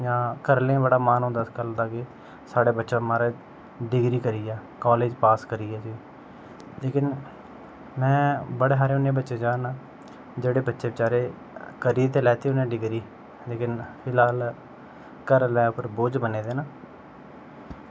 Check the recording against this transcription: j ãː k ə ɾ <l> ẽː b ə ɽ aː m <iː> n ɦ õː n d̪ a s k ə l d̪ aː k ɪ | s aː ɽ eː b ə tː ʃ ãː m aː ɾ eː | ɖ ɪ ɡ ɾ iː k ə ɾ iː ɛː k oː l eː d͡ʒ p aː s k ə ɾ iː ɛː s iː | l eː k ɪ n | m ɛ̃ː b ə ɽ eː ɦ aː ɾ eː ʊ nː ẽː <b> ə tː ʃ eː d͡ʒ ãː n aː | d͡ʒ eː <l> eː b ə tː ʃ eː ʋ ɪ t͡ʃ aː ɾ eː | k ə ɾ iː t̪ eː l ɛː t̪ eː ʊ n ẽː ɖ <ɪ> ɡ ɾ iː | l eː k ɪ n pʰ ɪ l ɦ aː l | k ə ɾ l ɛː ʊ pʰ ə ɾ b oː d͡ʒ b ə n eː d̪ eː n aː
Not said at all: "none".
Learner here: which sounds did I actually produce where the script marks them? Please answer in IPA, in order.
l, aː, b, ɽ, ɪ

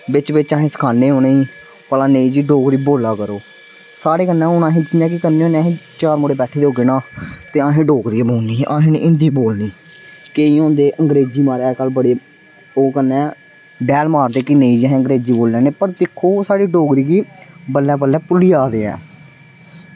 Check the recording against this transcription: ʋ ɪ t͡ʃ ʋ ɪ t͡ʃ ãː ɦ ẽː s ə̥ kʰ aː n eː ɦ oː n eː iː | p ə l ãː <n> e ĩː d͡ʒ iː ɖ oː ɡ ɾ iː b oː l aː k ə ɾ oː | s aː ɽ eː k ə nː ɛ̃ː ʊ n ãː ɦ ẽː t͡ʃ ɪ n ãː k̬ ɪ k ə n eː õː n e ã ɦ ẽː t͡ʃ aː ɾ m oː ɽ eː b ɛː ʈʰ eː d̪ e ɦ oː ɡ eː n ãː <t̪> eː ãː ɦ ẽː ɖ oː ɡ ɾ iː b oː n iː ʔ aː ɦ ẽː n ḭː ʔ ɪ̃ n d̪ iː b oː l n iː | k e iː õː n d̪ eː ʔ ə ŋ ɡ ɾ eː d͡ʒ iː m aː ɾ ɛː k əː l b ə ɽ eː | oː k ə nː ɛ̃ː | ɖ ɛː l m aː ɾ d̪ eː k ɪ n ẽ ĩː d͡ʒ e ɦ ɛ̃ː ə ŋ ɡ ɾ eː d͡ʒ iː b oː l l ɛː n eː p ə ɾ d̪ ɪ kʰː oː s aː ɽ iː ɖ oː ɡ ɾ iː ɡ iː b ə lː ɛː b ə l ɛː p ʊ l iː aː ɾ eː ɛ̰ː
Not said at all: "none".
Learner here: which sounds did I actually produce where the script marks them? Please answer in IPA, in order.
n, t̪

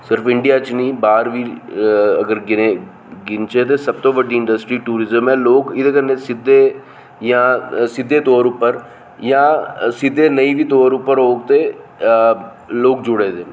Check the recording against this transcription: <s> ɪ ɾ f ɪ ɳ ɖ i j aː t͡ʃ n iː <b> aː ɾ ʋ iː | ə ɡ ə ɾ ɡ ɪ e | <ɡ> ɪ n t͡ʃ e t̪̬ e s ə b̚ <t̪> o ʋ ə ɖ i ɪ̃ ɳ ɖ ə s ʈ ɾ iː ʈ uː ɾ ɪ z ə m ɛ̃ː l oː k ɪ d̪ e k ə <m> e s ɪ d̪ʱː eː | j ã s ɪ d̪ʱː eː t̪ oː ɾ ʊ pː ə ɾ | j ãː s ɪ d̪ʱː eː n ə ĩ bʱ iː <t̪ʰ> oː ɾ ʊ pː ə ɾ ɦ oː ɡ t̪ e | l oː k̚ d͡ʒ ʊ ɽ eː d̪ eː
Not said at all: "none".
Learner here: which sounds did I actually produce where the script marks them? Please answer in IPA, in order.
s, b, ɡ, t̪, n, t̪

